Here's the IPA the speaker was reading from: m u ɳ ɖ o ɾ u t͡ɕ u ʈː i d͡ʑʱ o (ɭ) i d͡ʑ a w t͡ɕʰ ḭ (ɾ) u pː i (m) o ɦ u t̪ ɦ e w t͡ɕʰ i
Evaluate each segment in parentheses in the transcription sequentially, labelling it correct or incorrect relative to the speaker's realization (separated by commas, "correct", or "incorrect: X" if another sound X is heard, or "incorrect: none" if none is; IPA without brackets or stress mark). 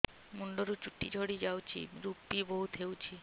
incorrect: ɽ, correct, incorrect: b